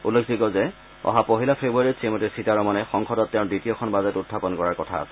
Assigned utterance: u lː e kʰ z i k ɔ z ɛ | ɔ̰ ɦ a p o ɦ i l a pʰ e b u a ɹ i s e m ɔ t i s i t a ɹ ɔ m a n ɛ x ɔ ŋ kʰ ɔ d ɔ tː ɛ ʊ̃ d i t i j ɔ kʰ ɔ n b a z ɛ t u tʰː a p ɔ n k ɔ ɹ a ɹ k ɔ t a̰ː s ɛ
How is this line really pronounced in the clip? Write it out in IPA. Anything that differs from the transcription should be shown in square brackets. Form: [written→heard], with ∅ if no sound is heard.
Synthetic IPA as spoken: u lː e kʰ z i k ɔ z ɛ | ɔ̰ ɦ a p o ɦ i l a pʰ e b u a ɹ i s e m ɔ t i s i t a ɹ ɔ m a n ɛ x ɔ ŋ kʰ ɔ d ɔ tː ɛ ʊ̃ d i t i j ɔ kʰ ɔ n b a z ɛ t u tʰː a p ɔ n k ɔ ɹ a ɹ k ɔ [t→tʰ] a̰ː s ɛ